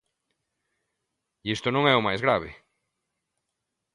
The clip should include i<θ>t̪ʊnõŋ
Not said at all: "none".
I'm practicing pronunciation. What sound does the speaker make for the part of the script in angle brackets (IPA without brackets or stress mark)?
s